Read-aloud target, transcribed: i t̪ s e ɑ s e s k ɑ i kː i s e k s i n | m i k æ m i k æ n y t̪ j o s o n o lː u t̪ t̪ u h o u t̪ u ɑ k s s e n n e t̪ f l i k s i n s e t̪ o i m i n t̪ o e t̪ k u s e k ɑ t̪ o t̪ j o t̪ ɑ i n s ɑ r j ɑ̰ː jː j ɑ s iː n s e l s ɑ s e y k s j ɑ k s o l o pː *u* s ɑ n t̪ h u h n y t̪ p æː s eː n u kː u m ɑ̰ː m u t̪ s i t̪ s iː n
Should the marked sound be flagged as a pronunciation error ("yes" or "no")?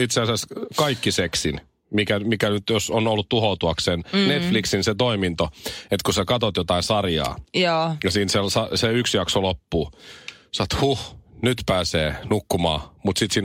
yes